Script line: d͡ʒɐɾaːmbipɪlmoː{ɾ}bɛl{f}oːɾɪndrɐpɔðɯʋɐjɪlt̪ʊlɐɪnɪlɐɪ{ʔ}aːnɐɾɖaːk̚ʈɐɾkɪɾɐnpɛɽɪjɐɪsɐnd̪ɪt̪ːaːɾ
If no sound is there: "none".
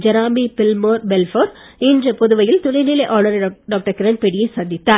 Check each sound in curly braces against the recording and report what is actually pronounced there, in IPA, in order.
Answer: ɾ, f, ʔ

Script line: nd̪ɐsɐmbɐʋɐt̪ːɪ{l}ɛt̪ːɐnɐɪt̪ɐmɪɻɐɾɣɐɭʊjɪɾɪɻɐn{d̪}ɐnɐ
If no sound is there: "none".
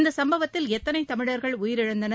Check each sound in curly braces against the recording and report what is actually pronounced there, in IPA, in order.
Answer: l, d̪

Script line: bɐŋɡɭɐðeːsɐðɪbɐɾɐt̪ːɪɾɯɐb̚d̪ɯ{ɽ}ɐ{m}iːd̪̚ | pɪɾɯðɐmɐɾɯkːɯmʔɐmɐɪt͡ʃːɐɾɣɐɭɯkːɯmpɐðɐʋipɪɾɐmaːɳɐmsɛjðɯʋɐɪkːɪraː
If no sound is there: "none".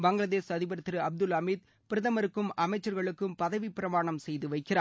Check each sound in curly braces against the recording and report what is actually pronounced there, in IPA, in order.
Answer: l, m

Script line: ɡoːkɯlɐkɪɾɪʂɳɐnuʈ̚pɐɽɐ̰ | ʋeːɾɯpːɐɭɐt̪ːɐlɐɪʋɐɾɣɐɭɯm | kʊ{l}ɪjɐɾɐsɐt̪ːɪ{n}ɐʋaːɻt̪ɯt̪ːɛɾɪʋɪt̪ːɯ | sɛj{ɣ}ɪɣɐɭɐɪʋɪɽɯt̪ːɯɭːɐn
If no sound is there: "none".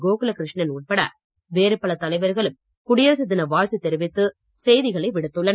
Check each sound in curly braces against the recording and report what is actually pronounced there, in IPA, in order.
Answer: ɽ, n, ð

